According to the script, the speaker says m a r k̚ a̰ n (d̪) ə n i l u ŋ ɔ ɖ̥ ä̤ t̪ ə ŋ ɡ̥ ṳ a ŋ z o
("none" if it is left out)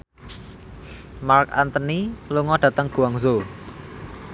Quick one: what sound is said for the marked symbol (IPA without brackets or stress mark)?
t̪